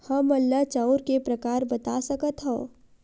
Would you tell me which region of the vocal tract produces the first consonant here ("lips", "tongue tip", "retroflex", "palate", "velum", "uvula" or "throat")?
throat